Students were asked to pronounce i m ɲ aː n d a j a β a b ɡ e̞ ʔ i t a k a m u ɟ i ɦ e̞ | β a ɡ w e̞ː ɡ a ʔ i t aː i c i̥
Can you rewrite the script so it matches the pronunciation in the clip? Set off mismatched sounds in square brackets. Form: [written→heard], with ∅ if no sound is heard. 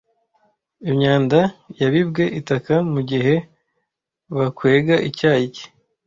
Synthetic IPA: i m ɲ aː n d a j a β [a→i] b ɡ e̞ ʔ i t a k a m u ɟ i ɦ e̞ | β a [ɡ→k] w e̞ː ɡ a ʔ i [t→c] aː i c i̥